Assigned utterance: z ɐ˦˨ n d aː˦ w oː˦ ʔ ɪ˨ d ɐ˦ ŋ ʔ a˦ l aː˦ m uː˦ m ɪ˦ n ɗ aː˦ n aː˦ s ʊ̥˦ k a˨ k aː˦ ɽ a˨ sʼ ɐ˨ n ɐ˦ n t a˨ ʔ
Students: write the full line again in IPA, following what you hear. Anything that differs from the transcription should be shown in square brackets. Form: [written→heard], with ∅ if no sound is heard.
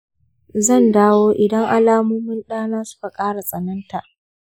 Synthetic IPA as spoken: z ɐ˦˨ n d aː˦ w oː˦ ʔ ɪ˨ d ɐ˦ ŋ ʔ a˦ l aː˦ m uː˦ m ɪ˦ n ɗ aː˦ n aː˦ s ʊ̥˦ k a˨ [k→kʼ] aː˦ ɽ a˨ sʼ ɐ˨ n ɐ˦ n t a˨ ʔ

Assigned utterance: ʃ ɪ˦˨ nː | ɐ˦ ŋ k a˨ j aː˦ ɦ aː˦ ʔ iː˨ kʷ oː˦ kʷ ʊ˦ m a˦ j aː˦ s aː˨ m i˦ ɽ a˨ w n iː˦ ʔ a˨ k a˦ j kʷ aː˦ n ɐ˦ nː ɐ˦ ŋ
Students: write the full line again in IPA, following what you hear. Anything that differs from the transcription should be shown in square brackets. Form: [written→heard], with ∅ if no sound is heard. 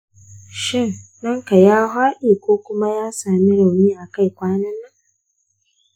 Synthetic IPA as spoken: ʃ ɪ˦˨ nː | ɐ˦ ŋ k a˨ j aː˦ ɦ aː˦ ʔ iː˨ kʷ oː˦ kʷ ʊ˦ m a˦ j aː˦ s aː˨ m i˦ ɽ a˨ w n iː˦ ʔ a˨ k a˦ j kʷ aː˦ n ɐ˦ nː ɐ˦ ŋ

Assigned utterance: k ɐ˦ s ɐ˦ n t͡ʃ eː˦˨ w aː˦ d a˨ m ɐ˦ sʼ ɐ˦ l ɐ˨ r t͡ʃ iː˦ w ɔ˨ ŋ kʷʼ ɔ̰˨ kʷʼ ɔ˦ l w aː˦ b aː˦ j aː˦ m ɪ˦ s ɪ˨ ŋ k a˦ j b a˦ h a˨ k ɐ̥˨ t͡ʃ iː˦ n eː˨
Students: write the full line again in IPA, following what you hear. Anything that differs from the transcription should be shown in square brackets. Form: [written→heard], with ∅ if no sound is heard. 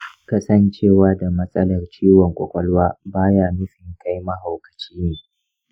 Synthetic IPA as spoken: k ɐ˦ s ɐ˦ n t͡ʃ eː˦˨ w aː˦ d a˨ m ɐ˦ sʼ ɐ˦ l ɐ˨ r t͡ʃ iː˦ w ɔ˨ ŋ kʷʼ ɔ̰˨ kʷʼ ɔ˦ l w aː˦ b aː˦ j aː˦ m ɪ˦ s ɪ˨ ŋ k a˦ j [b→m] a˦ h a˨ k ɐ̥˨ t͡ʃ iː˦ n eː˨

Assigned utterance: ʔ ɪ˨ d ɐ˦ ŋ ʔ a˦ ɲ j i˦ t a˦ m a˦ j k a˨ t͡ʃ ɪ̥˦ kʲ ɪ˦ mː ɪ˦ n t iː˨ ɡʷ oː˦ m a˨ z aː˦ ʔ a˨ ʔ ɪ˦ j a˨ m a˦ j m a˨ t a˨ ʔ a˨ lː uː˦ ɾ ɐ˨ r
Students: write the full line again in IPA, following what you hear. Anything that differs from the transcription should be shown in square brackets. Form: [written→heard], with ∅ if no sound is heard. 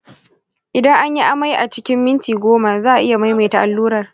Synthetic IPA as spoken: ʔ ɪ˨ d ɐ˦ ŋ ʔ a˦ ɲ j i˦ [t→ʔ] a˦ m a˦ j [k→ʔ] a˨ t͡ʃ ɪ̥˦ kʲ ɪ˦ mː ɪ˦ n t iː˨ ɡʷ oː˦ m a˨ z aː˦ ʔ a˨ ʔ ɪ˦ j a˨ m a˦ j m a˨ t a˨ ʔ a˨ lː uː˦ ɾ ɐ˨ r

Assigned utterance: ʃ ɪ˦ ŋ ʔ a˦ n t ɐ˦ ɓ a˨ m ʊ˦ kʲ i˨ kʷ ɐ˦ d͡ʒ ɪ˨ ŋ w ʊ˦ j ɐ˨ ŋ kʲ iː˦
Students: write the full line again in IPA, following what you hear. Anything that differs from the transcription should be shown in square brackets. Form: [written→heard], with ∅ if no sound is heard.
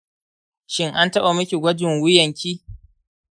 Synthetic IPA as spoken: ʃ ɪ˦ ŋ ʔ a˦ n t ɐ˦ ɓ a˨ m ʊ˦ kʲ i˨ [kʷ→ɡʷ] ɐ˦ d͡ʒ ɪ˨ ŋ w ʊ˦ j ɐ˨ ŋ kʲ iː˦

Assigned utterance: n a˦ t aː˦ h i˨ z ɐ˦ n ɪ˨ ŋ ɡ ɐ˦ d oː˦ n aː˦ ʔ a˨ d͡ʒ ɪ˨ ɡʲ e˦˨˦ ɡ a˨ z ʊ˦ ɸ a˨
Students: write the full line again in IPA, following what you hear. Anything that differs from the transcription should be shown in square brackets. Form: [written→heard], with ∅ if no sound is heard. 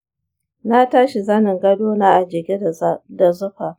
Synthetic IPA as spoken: n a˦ t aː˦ [h→ʃ] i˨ z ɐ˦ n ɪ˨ ŋ ɡ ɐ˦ d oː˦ n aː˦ ʔ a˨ d͡ʒ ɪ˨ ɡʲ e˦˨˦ [ɡ→d] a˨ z ʊ˦ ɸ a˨

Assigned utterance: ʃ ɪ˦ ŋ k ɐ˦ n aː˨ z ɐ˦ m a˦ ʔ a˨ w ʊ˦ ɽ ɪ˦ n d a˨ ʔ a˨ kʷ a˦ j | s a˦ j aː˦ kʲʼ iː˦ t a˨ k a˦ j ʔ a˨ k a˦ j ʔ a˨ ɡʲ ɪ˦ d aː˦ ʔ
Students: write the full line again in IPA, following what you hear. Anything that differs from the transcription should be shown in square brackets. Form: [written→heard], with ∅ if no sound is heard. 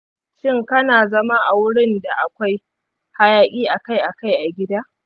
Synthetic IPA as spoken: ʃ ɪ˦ ŋ k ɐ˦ n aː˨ z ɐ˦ m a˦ ʔ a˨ w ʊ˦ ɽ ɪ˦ n d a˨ ʔ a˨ kʷ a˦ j | [s→h] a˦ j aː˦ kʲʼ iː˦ [t→ʔ] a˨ k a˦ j ʔ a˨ k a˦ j ʔ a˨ ɡʲ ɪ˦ d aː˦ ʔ

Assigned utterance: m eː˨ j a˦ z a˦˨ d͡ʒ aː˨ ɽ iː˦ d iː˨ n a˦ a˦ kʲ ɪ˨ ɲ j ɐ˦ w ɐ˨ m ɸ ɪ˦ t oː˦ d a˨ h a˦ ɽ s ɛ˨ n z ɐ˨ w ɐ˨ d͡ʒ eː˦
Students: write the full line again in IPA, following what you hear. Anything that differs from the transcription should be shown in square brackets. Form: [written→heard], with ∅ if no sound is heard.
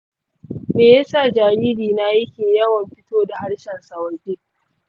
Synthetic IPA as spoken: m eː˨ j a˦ [z→s] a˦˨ d͡ʒ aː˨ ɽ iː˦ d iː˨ n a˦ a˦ kʲ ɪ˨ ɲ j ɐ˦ w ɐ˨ m ɸ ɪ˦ t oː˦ d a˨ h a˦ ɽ [s→ʃ] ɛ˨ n [z→s] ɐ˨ w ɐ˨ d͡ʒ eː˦

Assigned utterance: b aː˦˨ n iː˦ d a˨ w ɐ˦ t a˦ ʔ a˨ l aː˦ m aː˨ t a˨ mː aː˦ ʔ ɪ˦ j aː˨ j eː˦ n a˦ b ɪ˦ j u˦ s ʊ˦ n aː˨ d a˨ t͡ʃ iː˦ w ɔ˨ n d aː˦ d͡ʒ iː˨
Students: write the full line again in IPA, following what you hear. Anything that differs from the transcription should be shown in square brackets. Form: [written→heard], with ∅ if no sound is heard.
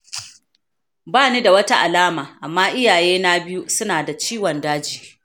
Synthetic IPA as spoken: b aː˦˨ n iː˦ d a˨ w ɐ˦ t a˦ ʔ a˨ l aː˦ m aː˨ [t→ʔ] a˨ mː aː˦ ʔ ɪ˦ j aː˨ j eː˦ n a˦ b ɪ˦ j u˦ s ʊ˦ n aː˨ d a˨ t͡ʃ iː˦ w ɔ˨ n d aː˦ d͡ʒ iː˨

